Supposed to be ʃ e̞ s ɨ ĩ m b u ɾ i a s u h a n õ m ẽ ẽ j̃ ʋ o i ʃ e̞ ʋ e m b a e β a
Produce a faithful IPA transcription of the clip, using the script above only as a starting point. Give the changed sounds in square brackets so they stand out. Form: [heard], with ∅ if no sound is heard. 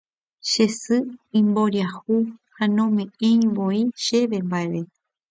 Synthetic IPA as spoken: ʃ e̞ s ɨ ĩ m b [o] ɾ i a [h] u h a n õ m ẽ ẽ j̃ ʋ o i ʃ e̞ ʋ e m b a e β [e]